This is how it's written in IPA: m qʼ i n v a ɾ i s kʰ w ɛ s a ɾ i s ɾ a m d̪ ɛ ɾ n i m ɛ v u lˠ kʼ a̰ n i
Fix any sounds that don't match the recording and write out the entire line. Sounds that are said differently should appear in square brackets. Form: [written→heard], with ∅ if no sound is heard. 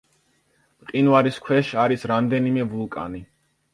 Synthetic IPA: m qʼ i n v a ɾ i s kʰ w ɛ [s→ʃ] a ɾ i s ɾ a m d̪ ɛ [ɾ→∅] n i m ɛ v u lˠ kʼ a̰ n i